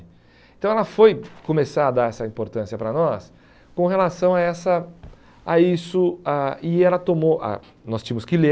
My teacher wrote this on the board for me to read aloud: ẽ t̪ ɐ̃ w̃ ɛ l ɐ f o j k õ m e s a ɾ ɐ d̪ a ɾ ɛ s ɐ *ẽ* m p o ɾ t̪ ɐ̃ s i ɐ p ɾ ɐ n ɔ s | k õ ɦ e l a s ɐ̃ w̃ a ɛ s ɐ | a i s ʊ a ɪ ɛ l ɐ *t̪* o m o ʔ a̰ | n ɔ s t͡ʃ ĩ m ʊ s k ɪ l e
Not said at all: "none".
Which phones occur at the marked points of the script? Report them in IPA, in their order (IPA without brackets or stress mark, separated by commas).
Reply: ĩ, t̪